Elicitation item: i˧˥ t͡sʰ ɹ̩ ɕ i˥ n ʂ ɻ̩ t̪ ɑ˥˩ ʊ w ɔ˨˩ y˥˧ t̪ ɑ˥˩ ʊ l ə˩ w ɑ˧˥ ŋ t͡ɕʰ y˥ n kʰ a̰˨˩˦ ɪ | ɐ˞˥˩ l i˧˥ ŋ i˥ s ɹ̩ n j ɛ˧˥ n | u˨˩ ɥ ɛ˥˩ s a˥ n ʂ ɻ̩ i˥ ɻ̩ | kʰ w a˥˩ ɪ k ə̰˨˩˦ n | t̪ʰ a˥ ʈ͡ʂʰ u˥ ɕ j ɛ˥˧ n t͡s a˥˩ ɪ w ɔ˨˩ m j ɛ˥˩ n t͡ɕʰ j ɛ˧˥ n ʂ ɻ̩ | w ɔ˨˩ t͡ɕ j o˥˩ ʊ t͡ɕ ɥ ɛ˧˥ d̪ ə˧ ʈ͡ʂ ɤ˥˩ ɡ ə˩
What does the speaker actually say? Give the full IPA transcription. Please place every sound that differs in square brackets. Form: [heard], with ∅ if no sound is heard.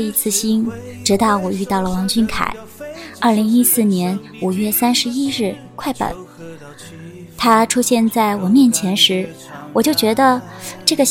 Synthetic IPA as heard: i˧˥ t͡sʰ ɹ̩ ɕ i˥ n [ʈ͡ʂ] ɻ̩ t̪ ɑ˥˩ ʊ w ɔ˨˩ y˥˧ t̪ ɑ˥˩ ʊ l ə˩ w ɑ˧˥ ŋ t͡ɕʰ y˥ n kʰ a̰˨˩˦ ɪ | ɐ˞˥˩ l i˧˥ ŋ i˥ s ɹ̩ n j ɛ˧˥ n | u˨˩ ɥ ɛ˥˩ s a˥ n ʂ ɻ̩ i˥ ɻ̩ | kʰ w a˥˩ ɪ [p] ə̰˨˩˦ n | t̪ʰ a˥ ʈ͡ʂʰ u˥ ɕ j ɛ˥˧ n t͡s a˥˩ ɪ w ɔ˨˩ m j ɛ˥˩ n t͡ɕʰ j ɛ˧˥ n ʂ ɻ̩ | w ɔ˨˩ t͡ɕ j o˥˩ ʊ t͡ɕ ɥ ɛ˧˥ d̪ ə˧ ʈ͡ʂ ɤ˥˩ ɡ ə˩